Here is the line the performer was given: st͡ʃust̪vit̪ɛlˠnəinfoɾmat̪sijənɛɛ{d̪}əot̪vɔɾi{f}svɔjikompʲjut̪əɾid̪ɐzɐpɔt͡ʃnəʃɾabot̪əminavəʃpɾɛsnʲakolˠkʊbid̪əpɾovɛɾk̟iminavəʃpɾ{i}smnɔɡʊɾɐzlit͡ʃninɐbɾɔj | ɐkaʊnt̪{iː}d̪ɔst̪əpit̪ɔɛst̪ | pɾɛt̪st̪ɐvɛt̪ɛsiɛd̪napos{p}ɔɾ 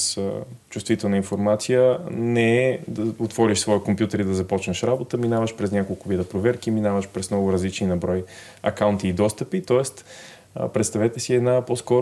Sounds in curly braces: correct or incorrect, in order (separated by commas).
correct, incorrect, incorrect, correct, incorrect